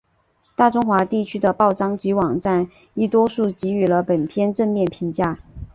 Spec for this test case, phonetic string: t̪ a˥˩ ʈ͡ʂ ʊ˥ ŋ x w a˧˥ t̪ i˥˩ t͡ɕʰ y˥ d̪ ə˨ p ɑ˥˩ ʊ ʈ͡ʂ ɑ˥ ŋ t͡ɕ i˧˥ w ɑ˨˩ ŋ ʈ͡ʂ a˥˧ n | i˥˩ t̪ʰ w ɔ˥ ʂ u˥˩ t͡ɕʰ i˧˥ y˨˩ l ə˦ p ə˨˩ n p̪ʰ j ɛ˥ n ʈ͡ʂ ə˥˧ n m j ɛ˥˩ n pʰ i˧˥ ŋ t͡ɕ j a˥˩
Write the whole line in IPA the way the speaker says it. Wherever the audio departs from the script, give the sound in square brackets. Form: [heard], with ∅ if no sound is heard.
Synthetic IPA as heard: t̪ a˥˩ ʈ͡ʂ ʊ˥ ŋ x w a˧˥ t̪ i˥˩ t͡ɕʰ y˥ d̪ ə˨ p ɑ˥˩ ʊ ʈ͡ʂ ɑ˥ ŋ t͡ɕ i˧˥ w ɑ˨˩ ŋ ʈ͡ʂ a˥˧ n | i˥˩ [t̪] w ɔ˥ ʂ u˥˩ [t͡ɕ] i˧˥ y˨˩ l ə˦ p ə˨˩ n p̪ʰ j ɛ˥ n ʈ͡ʂ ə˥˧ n m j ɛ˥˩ n pʰ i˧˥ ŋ t͡ɕ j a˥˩